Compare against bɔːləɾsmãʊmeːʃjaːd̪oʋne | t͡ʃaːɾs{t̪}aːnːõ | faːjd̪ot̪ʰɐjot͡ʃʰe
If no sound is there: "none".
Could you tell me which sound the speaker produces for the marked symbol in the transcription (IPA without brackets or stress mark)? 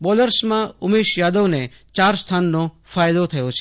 t̪ʰ